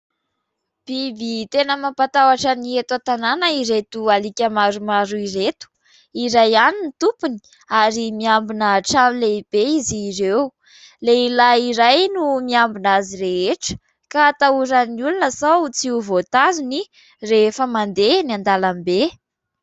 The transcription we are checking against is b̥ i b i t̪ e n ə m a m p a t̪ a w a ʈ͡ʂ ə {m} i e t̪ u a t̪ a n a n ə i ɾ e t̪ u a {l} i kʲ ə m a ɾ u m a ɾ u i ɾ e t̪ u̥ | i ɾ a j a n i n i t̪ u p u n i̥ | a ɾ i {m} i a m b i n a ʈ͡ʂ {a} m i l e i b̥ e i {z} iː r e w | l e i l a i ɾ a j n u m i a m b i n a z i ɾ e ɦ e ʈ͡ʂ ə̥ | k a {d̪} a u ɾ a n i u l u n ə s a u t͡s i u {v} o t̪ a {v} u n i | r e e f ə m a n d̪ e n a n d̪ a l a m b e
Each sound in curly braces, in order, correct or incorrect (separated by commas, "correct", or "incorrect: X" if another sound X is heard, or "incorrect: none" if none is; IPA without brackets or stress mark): incorrect: n, correct, correct, correct, correct, incorrect: t̪, correct, incorrect: z